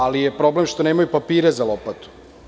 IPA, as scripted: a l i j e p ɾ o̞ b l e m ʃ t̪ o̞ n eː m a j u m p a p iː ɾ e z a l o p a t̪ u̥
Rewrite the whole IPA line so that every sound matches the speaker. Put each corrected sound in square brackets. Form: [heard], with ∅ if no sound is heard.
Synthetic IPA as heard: a l i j e p ɾ o̞ b l e m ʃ t̪ o̞ n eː m a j u [∅] p a p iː ɾ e z a l o p a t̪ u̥